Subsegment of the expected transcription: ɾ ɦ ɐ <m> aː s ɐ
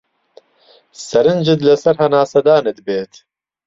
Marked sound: incorrect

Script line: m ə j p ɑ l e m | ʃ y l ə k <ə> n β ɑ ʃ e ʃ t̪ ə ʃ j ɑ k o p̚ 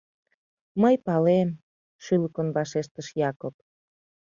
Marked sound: correct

